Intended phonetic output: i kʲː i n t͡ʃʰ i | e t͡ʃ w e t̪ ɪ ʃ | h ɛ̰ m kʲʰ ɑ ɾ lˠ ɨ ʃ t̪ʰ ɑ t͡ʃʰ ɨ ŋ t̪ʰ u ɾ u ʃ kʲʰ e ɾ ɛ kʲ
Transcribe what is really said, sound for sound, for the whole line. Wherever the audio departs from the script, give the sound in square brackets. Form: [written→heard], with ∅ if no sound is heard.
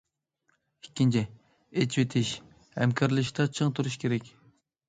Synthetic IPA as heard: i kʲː i n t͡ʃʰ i | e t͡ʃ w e [t̪→t̪ʰ] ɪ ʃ | h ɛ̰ m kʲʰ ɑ ɾ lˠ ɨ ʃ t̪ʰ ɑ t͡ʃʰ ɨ ŋ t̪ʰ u ɾ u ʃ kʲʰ e ɾ ɛ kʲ